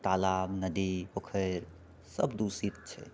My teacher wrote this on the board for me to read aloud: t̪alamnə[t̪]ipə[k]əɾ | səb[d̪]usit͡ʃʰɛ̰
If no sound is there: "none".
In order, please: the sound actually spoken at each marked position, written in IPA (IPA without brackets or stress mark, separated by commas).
d̪, kʰ, d̪